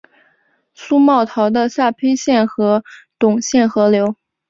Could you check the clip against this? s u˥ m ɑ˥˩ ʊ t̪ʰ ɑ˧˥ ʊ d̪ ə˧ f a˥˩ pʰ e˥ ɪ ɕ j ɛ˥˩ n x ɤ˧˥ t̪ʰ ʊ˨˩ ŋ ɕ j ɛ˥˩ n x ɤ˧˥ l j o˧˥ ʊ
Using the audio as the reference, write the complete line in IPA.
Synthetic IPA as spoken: s u˥ m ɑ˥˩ ʊ t̪ʰ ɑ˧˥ ʊ d̪ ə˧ s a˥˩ pʰ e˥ ɪ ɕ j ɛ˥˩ n x ɤ˧˥ t̪ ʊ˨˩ ŋ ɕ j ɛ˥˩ n x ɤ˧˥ l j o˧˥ ʊ